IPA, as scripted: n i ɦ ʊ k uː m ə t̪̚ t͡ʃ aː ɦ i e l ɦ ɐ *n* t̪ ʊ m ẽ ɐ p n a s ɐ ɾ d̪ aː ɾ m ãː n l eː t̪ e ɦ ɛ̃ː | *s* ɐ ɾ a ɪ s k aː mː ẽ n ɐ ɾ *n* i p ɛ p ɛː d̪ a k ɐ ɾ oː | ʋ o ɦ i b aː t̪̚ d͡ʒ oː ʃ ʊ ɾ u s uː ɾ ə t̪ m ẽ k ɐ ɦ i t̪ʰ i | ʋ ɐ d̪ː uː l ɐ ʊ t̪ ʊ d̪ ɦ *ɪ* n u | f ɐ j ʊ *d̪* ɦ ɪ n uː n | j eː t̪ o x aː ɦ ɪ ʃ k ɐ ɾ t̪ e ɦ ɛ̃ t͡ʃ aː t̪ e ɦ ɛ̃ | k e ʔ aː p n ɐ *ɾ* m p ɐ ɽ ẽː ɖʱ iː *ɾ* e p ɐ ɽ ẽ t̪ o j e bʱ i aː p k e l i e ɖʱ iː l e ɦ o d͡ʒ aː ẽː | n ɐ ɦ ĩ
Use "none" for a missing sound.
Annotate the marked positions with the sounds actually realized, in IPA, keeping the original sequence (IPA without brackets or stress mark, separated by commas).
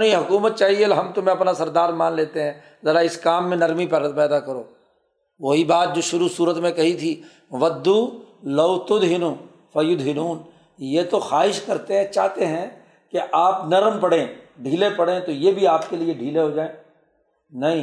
m, z, m, ɪ, d̪, ɾ, l